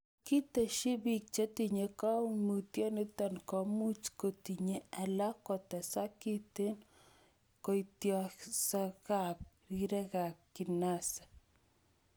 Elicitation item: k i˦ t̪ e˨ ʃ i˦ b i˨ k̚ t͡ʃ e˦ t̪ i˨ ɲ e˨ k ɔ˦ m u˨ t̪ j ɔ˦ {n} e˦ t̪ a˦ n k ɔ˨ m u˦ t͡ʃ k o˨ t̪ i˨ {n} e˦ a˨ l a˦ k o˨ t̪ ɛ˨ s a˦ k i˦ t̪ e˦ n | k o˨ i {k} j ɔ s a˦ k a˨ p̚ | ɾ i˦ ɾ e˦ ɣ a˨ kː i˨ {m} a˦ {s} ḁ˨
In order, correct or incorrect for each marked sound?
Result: correct, incorrect, incorrect, incorrect, correct

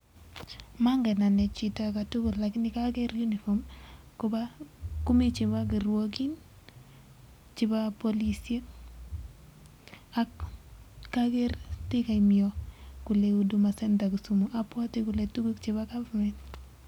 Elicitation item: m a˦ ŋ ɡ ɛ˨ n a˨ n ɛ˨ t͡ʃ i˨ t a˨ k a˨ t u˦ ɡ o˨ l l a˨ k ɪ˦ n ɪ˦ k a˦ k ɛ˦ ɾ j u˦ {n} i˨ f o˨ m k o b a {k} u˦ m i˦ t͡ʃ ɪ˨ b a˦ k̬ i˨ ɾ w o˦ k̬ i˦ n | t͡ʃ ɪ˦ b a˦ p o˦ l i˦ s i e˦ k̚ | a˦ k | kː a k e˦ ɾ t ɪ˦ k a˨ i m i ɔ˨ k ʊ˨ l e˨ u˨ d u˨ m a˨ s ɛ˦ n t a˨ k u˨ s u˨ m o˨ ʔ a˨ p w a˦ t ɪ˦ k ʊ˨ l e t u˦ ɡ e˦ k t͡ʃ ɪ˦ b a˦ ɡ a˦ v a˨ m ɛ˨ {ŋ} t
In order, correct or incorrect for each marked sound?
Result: correct, correct, incorrect

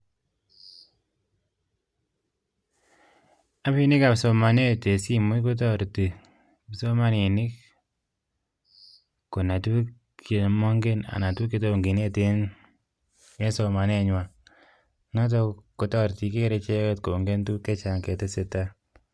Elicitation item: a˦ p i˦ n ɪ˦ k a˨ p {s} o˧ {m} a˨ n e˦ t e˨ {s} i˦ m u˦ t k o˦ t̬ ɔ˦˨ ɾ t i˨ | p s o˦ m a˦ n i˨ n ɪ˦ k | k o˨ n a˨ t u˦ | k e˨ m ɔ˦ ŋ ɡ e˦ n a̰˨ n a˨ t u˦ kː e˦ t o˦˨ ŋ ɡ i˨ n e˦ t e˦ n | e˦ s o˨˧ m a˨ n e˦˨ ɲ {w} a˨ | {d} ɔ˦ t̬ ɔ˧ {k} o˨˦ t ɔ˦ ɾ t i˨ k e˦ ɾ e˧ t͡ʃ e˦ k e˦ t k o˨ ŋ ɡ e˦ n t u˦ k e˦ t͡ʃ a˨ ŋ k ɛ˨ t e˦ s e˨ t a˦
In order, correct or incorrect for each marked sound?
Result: correct, correct, correct, correct, incorrect, correct

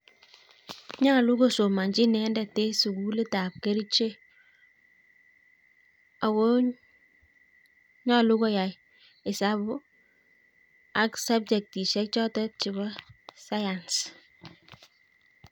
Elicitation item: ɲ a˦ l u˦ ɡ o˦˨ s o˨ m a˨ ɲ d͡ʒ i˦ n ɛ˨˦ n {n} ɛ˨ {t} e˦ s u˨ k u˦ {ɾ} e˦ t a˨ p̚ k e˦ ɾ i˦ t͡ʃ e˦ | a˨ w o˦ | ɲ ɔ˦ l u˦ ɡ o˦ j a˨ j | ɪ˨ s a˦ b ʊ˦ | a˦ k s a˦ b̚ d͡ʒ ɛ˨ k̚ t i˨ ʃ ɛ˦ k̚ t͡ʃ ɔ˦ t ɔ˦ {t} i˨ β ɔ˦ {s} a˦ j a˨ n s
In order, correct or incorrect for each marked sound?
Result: incorrect, correct, incorrect, incorrect, correct

